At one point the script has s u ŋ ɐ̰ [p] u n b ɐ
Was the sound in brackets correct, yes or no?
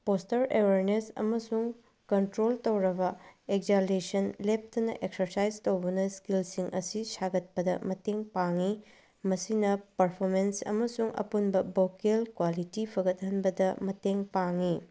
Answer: yes